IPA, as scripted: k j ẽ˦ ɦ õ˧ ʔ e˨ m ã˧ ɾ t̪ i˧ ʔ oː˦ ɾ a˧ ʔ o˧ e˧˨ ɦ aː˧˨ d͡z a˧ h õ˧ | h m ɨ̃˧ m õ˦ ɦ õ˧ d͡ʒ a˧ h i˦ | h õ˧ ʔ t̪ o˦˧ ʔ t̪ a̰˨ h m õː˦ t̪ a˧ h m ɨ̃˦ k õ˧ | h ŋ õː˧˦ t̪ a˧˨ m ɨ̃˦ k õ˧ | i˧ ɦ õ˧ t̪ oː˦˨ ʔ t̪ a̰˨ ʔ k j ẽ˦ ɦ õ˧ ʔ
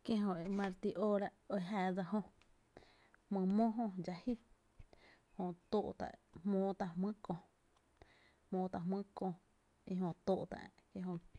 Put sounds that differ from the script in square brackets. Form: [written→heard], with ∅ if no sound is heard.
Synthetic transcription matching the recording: k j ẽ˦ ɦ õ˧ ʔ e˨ m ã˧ ɾ t̪ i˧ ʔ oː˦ ɾ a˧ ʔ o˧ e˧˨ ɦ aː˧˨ d͡z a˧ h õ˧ | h m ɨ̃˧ m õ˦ ɦ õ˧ d͡ʒ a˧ h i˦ | h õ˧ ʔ t̪ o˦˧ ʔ t̪ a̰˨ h m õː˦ t̪ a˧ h m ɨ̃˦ k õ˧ | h [ŋ→m] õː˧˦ t̪ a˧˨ m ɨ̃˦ k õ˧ | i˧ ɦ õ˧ t̪ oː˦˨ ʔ t̪ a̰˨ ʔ k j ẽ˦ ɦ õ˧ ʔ